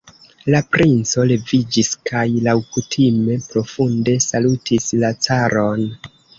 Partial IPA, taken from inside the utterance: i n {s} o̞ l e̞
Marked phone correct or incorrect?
incorrect